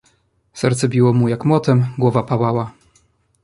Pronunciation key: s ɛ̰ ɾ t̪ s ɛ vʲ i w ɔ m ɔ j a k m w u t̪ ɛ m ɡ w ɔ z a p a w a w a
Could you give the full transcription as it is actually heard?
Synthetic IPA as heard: s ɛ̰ ɾ t̪ s ɛ bʲ i w ɔ m u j a k m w ɔ t̪ ɛ m ɡ w ɔ v a p a w a w a